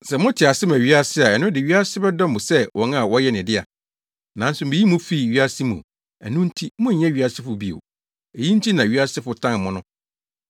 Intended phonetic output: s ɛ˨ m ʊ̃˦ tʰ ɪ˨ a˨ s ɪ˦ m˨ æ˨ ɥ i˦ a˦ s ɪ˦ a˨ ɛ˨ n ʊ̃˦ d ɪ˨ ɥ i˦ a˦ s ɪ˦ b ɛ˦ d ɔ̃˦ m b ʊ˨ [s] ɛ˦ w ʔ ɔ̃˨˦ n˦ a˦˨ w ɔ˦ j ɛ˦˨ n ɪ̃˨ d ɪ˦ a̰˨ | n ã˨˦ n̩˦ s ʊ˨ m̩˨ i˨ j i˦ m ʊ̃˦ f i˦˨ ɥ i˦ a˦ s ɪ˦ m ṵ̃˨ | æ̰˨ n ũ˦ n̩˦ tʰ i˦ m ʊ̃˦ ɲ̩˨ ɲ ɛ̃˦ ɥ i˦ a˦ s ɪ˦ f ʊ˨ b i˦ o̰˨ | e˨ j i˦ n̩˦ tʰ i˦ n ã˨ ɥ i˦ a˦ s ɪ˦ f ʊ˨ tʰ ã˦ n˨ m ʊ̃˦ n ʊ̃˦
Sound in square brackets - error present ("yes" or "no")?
no